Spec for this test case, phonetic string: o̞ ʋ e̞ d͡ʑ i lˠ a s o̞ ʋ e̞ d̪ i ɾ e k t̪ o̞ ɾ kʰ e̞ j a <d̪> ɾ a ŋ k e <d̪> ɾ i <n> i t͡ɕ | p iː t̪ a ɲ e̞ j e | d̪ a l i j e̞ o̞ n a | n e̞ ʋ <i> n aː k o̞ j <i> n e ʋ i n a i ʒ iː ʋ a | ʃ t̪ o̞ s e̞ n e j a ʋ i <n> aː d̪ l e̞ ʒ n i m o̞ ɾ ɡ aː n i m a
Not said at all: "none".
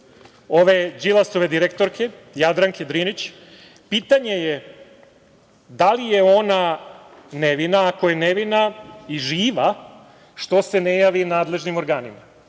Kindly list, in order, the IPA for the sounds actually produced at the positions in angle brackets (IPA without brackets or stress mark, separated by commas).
d̪, d̪, n, i, e, n